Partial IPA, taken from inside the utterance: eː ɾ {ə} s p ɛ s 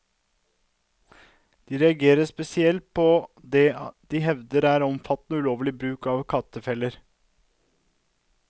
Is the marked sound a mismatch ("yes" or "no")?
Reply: no